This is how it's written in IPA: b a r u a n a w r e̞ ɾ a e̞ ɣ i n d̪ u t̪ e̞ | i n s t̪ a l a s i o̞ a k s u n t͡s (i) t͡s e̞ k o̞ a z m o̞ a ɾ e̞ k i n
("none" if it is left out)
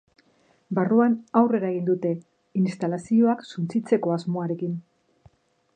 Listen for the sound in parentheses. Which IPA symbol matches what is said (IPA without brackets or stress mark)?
i